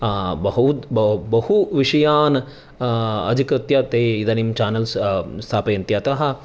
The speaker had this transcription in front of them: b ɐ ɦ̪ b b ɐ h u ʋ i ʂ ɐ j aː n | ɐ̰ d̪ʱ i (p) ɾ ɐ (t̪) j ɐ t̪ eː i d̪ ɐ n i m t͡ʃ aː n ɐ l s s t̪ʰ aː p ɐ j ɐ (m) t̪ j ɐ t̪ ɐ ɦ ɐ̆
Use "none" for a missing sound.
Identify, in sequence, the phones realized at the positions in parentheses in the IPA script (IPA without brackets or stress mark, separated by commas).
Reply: k, t̪, n